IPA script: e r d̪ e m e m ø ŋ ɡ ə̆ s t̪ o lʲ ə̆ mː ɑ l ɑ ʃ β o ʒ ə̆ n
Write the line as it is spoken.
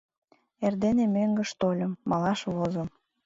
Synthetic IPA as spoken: e r d̪ e n e m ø ŋ ɡ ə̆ ʃ t̪ o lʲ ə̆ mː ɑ l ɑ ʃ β o z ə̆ m